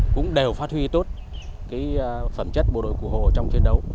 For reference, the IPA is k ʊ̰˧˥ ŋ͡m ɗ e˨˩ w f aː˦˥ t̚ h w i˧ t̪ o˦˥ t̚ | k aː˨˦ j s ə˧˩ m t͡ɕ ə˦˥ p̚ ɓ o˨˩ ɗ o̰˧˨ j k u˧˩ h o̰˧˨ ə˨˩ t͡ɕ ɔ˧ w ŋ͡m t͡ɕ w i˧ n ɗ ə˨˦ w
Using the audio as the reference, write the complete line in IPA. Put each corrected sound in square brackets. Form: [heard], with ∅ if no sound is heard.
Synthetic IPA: k ʊ̰˧˥ ŋ͡m ɗ e˨˩ w f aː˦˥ t̚ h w i˧ t̪ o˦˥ t̚ | k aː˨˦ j [f] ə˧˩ m t͡ɕ ə˦˥ [t̚] ɓ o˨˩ ɗ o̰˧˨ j k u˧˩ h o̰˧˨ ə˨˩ t͡ɕ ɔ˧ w ŋ͡m t͡ɕ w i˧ n ɗ ə˨˦ w